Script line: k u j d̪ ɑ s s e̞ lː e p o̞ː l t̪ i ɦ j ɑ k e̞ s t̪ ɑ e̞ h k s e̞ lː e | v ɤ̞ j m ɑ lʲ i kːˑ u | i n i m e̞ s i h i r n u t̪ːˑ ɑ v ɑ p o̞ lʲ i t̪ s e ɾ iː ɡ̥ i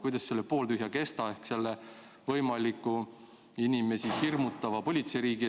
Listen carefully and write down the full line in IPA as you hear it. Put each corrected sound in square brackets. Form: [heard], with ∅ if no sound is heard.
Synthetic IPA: k u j d̪ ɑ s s e̞ lː e p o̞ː l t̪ [y] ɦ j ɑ k e̞ s t̪ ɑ e̞ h k s e̞ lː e | v ɤ̞ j m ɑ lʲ i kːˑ u | i n i m e̞ s i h i r [m] u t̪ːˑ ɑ v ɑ p o̞ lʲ i t̪ s e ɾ iː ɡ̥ i

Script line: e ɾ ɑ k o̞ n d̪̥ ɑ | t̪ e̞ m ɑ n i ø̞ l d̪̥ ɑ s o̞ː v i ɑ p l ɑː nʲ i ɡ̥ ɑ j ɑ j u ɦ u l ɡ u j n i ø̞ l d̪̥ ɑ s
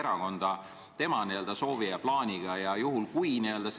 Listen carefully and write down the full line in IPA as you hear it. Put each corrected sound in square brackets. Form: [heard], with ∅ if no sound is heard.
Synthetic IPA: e ɾ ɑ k o̞ n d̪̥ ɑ | t̪ e̞ m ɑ n i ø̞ l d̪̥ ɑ s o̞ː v i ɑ p l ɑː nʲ i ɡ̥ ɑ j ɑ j u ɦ u l [k] u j n i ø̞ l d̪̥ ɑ s

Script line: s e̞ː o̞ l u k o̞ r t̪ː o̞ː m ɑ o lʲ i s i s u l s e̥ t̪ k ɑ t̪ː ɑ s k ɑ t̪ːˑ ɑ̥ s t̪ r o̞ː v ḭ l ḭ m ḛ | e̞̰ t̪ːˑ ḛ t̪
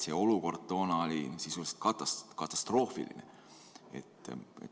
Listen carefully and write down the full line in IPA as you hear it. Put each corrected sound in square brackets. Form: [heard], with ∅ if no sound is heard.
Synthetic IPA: s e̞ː o̞ l u k o̞ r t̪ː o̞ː [n] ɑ o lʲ i s i s u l s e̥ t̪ k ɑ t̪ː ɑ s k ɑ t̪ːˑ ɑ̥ s t̪ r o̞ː [f] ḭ l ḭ [n] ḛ | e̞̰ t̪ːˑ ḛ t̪

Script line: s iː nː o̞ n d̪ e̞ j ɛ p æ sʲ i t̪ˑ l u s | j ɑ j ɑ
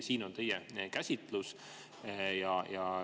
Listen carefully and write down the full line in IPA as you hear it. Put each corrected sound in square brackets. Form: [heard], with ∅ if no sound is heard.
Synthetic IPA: s iː [n] o̞ n [t̪] e̞ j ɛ [k] æ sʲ i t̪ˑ l u s | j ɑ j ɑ

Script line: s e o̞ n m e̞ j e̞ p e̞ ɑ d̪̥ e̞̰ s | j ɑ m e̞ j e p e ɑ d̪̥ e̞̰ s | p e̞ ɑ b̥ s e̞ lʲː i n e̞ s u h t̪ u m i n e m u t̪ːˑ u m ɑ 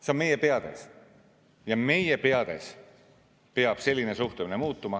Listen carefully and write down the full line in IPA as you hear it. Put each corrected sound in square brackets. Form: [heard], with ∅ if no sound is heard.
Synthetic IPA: s e o̞ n m e̞ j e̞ p e̞ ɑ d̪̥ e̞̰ s | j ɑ m e̞ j e p e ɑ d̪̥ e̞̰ s | p e̞ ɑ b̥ s e̞ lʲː i n e̞ s u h t̪ u m i n e m [uː] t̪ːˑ u m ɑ

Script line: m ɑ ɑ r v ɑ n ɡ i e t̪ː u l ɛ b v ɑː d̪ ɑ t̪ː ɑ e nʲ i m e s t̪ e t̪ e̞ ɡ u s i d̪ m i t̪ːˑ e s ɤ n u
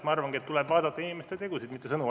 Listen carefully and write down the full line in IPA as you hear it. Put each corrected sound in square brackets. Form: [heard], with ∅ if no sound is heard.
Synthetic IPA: m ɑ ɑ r v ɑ [ŋ] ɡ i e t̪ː u l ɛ b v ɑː d̪ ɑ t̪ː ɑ [i] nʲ i m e s t̪ e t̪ e̞ ɡ u s i d̪ m i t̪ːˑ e s ɤ n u

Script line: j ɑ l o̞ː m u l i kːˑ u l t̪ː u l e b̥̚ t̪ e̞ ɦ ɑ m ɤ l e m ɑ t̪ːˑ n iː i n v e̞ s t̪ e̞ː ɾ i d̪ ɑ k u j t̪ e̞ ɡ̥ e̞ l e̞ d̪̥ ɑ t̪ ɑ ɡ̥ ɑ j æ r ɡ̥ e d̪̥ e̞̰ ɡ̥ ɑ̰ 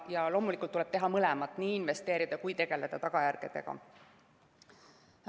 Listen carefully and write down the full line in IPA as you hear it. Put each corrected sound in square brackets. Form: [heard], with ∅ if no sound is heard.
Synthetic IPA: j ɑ l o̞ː m u l i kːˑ u l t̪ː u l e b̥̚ t̪ e̞ ɦ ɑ m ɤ l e m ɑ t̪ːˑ n iː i n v e̞ s t̪ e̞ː ɾ i d̪ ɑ k u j t̪ e̞ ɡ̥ e̞ l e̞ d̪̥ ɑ t̪ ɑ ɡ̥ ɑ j æ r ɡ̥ e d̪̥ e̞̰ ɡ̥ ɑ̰

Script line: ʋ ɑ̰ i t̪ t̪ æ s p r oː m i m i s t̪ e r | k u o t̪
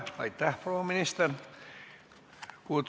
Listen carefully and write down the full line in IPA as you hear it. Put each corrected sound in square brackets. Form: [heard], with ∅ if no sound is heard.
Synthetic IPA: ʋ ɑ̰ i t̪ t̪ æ [h] p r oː m i [n] i s t̪ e r | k u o t̪

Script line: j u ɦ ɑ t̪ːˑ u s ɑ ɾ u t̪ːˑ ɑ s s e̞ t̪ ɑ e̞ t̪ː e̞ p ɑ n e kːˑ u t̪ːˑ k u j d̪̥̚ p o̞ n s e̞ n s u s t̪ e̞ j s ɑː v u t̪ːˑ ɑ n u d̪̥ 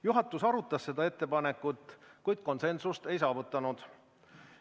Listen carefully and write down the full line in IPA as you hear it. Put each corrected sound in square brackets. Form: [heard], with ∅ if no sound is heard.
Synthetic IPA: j u ɦ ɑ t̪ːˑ u s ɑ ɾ u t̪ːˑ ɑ s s e̞ [d̪] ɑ e̞ t̪ː e̞ p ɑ n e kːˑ u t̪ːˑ k u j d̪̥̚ [k] o̞ n s e̞ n s u s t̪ e̞ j s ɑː v u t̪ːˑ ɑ n u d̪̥

